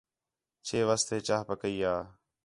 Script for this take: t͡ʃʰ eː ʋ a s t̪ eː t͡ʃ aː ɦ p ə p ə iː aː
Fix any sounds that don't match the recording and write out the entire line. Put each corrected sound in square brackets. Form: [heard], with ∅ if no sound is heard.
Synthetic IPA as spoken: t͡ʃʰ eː ʋ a s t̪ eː t͡ʃ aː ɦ p ə [k] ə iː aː